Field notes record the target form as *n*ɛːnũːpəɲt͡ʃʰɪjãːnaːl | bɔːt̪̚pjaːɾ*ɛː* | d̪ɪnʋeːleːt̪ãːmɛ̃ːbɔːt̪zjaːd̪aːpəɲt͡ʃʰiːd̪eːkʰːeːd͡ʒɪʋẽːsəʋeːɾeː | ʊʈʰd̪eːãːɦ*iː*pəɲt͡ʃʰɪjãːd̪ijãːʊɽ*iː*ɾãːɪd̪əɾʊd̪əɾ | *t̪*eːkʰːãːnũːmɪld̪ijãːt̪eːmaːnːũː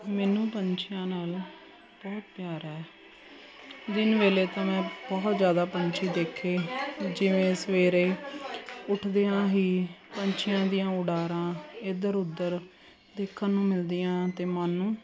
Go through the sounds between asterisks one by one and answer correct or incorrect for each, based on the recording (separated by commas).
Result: incorrect, correct, correct, incorrect, incorrect